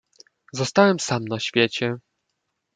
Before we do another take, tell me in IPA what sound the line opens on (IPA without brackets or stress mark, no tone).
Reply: z